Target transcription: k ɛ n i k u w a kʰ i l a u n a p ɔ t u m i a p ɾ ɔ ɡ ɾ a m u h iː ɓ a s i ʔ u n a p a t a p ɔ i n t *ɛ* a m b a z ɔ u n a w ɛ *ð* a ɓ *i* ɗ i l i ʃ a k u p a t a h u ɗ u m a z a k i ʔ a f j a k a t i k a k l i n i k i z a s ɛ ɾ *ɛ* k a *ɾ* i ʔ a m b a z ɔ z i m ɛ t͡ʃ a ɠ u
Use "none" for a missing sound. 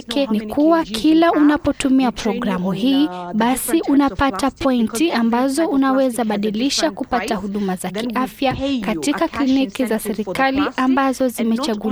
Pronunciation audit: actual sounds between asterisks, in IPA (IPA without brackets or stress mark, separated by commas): i, z, a, i, l